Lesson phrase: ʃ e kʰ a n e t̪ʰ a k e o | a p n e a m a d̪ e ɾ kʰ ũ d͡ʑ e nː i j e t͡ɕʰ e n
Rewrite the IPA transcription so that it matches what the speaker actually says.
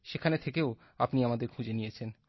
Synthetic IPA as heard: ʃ e kʰ a n e t̪ʰ e k e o | a p n i a m a d̪ e ɾ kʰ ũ d͡ʑ e n i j e t͡ɕʰ e n